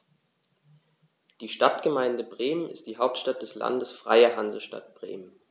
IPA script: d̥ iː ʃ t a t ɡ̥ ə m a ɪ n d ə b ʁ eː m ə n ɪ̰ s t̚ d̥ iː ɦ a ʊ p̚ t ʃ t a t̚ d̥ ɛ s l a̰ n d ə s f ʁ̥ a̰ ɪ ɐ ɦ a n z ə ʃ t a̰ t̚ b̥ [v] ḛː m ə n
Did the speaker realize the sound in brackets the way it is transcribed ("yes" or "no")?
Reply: no